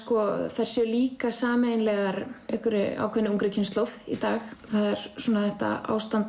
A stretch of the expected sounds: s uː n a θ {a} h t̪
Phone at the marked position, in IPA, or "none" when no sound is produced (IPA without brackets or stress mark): ɛ